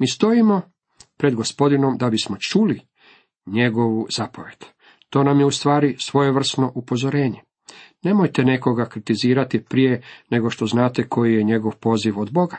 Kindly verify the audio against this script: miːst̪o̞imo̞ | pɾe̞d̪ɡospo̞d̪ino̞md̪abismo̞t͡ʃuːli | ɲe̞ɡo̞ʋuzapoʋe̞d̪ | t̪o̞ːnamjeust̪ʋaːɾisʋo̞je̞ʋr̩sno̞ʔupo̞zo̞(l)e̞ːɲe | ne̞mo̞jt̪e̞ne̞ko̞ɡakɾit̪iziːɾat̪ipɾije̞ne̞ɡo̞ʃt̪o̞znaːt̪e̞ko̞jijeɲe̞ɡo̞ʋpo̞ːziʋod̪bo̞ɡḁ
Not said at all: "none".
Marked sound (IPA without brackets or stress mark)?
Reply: ɾ